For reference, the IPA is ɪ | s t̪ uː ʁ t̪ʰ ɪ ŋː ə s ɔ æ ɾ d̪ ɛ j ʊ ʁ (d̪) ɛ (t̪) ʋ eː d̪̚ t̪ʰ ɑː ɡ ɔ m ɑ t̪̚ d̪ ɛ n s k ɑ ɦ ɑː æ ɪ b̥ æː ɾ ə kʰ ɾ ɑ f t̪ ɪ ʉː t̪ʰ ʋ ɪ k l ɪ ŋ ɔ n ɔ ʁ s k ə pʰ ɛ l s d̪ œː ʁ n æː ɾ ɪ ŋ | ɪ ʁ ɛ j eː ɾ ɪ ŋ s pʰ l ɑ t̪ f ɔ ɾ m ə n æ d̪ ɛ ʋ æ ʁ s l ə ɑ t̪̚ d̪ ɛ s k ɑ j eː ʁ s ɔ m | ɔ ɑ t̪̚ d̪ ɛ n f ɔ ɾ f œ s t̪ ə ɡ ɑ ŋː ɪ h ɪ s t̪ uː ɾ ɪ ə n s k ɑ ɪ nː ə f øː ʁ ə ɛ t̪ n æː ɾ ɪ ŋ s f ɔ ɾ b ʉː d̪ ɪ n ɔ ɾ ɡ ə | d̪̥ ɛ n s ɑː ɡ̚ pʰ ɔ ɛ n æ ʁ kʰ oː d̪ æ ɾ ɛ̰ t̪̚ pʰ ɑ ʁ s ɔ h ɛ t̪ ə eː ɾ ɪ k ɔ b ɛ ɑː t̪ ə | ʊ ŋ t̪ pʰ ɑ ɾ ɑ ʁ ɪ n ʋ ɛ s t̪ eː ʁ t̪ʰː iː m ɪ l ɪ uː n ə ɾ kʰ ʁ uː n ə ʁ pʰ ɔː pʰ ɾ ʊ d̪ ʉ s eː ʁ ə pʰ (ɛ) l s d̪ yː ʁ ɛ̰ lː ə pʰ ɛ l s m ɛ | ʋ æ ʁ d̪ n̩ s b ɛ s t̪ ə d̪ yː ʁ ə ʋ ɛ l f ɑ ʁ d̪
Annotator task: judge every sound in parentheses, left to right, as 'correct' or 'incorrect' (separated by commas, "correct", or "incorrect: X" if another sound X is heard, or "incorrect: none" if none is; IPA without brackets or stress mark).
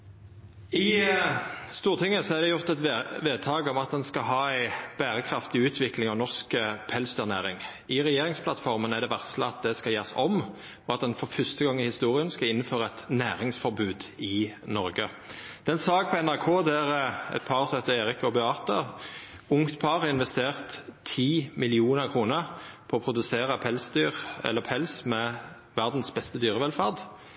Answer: incorrect: t̪, correct, correct